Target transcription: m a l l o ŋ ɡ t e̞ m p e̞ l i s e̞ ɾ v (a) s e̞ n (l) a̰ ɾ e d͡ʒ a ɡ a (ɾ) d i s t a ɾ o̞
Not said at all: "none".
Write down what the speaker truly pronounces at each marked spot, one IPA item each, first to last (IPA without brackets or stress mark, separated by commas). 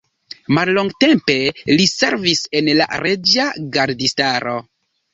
i, l, ɾ